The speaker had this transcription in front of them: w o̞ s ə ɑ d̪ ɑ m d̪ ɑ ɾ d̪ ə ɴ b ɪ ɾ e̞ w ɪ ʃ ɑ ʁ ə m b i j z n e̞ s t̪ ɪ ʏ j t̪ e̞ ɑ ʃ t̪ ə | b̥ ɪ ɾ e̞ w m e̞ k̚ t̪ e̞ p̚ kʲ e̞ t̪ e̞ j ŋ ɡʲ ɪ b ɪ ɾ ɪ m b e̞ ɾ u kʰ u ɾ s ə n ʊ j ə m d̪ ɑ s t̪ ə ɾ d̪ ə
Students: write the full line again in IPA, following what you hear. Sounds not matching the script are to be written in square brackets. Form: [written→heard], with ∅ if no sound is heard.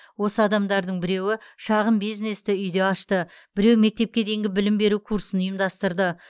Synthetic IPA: w o̞ s ə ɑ d̪ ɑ m d̪ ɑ ɾ d̪ ə ɴ b ɪ ɾ e̞ w ɪ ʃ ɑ ʁ ə m b i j z n e̞ s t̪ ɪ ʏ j [t̪→d̪] e̞ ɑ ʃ t̪ ə | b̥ ɪ ɾ e̞ w m e̞ k̚ t̪ e̞ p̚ kʲ e̞ [t̪→d̪] e̞ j ŋ ɡʲ ɪ b ɪ [ɾ→l] ɪ m b e̞ ɾ u kʰ u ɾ s ə n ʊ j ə m d̪ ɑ s t̪ ə ɾ d̪ ə